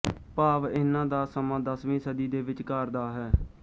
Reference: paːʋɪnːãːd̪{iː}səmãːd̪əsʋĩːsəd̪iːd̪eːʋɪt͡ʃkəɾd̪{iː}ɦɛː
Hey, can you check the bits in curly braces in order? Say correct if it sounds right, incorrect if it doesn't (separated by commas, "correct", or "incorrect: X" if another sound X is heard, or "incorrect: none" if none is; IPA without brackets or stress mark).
incorrect: aː, incorrect: aː